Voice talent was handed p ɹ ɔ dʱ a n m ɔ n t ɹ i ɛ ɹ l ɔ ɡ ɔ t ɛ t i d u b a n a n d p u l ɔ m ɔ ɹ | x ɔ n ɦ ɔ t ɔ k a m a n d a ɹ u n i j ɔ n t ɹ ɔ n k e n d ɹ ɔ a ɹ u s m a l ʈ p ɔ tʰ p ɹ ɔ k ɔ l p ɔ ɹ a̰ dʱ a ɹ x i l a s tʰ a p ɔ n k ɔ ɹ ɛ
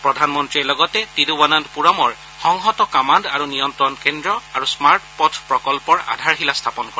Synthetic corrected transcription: p ɹ ɔ dʱ a n m ɔ n t ɹ i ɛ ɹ l ɔ ɡ ɔ t ɛ t i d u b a n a n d p u ɹ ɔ m ɔ ɹ | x ɔ ŋ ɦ ɔ t ɔ k a m a n d a ɹ u n i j ɔ n t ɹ ɔ n k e n d ɹ ɔ a ɹ u s m a ɹ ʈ p ɔ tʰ p ɹ ɔ k ɔ l p ɔ ɹ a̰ dʱ a ɹ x i l a s tʰ a p ɔ n k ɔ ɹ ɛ